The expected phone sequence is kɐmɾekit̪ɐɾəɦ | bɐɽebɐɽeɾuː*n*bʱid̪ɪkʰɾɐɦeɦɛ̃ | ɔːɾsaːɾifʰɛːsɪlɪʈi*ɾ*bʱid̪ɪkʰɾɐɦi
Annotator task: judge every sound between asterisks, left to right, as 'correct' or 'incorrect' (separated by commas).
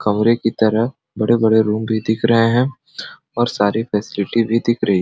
incorrect, incorrect